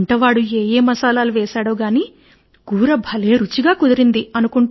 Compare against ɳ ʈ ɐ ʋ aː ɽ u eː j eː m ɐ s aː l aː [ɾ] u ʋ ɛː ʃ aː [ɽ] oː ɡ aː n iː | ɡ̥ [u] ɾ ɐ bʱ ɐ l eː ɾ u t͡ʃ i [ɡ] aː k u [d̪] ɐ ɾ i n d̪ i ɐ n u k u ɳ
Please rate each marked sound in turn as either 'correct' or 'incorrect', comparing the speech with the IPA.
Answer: incorrect, correct, incorrect, correct, correct

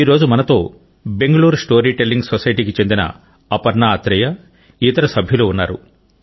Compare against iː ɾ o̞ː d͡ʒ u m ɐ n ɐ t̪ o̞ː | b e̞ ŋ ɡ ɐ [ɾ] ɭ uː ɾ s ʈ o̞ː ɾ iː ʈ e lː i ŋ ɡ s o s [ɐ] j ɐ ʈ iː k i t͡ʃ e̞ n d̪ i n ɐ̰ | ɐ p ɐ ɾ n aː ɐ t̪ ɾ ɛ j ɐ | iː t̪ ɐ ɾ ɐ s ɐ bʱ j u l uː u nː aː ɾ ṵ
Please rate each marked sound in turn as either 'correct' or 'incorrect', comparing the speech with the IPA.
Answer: incorrect, correct

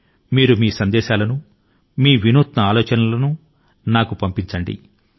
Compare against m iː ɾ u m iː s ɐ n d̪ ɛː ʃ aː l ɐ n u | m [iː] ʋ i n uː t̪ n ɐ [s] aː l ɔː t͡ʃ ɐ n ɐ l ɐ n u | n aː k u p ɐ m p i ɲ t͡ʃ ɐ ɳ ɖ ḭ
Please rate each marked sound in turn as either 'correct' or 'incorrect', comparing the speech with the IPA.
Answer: correct, incorrect

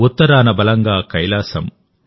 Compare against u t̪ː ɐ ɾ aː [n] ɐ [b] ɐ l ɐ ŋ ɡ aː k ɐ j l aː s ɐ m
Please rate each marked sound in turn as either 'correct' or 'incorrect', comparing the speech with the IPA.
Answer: correct, correct

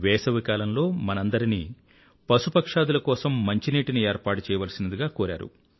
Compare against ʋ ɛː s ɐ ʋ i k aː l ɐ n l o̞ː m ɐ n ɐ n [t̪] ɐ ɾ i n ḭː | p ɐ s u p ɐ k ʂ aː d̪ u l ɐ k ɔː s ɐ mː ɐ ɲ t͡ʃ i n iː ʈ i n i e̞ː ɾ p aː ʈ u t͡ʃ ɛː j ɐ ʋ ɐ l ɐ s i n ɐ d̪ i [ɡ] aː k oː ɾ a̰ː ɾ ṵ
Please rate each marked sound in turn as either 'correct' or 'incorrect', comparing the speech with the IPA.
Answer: incorrect, correct

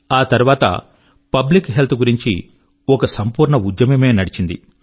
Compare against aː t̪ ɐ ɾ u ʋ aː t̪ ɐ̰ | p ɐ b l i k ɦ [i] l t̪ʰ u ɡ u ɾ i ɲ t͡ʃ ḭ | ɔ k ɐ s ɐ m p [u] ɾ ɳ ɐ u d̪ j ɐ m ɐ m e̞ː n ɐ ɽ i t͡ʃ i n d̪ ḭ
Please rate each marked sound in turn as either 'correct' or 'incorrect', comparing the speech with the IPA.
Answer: incorrect, incorrect

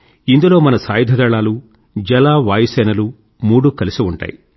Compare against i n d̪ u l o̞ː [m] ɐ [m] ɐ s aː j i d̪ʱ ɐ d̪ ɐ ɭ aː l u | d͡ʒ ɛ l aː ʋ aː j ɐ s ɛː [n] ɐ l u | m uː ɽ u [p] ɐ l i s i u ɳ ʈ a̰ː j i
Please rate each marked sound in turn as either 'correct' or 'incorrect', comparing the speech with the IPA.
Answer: correct, incorrect, correct, incorrect

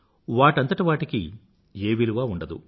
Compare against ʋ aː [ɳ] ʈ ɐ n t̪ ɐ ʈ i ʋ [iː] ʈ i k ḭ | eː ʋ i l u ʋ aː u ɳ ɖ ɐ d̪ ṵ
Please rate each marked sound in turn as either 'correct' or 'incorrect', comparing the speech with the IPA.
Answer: incorrect, incorrect

